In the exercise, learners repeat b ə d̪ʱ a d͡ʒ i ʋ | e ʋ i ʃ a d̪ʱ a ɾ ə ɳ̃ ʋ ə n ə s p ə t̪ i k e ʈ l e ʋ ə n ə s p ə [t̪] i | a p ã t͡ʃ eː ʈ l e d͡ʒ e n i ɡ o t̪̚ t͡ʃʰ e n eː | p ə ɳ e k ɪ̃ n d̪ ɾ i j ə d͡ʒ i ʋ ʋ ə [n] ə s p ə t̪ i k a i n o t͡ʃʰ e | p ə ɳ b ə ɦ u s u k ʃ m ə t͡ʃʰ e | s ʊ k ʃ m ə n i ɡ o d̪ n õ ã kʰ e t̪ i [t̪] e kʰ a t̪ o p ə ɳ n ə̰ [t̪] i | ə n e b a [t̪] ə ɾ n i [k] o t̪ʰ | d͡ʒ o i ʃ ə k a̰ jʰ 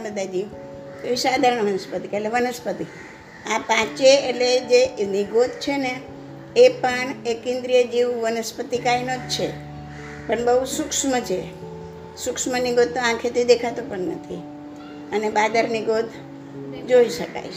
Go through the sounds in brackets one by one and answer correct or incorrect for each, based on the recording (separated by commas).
correct, correct, incorrect, incorrect, incorrect, incorrect